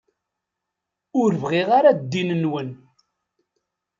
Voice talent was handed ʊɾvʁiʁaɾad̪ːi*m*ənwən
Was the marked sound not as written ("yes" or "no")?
yes